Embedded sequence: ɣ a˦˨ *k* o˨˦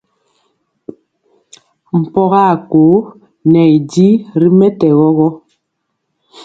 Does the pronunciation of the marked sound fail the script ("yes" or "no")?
no